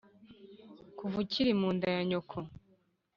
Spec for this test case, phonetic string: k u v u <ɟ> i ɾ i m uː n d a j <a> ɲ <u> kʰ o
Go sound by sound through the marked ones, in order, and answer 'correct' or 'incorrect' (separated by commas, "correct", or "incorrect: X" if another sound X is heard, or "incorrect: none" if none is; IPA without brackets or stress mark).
incorrect: c, correct, incorrect: o